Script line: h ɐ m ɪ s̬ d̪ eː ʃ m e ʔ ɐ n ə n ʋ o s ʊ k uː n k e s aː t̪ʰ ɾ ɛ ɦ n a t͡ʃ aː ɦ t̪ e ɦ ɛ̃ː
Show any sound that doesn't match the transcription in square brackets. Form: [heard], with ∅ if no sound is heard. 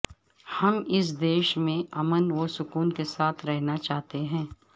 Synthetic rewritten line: h ɐ m ɪ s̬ d̪ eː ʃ m [ẽ] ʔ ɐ [m] ə n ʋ o s ʊ k uː n k e s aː t̪ʰ ɾ ɛ ɦ n a t͡ʃ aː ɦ t̪ e ɦ ɛ̃ː